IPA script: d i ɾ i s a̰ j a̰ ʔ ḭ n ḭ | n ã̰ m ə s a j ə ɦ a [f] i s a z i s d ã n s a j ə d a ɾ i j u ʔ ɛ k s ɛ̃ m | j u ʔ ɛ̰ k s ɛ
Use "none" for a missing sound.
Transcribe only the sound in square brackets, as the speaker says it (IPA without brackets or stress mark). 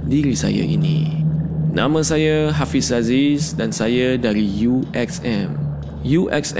f